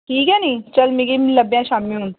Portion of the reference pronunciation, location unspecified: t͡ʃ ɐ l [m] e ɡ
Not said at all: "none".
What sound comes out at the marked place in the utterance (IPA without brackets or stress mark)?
m